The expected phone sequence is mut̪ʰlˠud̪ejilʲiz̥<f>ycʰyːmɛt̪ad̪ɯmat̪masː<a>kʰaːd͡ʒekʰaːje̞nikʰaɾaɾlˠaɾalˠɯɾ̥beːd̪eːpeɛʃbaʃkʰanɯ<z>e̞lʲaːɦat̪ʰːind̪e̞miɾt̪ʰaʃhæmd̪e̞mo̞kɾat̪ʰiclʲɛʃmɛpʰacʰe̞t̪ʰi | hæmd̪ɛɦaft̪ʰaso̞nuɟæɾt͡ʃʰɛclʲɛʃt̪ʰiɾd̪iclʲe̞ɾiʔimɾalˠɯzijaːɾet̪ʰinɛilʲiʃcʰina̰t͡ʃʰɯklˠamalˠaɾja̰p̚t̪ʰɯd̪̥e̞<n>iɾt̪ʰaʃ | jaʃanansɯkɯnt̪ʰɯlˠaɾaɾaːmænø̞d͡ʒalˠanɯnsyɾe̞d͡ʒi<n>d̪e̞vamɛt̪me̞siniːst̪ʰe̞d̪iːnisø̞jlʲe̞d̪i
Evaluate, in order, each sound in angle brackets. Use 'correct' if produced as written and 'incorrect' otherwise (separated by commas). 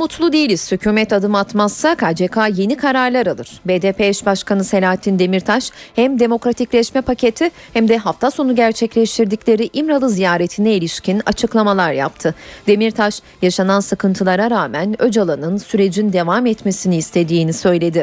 incorrect, correct, incorrect, incorrect, correct